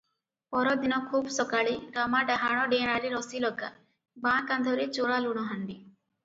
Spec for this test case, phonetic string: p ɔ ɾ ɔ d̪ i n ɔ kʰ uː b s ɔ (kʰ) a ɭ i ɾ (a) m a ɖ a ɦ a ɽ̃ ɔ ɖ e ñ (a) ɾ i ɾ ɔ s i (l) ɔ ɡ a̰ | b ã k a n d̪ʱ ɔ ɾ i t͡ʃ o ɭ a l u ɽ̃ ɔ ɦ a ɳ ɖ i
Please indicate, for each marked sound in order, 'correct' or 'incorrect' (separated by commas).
incorrect, correct, correct, correct